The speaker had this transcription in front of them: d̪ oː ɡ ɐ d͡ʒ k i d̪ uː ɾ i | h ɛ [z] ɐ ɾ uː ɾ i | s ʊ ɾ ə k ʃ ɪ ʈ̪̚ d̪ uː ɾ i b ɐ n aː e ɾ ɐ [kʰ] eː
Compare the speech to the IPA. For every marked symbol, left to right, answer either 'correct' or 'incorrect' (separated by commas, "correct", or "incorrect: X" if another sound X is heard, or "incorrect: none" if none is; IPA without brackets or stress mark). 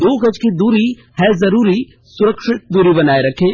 correct, correct